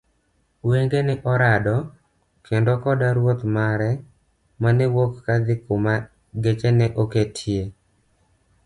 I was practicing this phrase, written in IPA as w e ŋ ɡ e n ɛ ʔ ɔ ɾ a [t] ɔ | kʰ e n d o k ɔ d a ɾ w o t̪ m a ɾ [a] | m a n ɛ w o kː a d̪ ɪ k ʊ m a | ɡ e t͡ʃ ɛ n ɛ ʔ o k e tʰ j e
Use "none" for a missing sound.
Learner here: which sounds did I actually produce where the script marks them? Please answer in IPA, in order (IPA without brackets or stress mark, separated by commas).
d, ɛ